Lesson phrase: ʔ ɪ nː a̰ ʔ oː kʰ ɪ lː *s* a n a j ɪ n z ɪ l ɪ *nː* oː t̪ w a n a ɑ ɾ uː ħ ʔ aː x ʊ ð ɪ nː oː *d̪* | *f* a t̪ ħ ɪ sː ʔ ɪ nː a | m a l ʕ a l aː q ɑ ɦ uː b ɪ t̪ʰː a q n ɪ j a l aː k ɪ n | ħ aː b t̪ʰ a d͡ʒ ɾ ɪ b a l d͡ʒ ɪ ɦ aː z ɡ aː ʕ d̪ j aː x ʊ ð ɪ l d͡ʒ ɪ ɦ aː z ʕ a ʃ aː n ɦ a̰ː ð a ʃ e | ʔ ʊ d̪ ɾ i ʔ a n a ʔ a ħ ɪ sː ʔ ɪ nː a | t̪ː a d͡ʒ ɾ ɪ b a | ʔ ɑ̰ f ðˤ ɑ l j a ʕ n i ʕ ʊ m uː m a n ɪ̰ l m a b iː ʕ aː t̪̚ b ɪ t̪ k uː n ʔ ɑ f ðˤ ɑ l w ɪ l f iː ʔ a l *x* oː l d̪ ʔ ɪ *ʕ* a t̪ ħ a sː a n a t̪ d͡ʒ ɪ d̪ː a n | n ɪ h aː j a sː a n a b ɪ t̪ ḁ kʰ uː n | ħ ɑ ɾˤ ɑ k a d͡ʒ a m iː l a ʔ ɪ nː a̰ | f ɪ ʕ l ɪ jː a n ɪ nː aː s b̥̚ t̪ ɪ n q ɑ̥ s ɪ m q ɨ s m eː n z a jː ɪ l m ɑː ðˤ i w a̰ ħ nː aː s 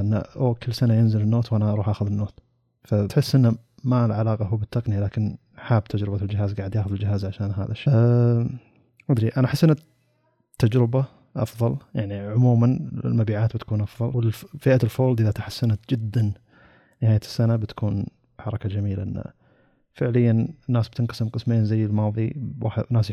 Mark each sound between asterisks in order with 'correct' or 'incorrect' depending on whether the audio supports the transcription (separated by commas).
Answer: correct, correct, incorrect, correct, incorrect, incorrect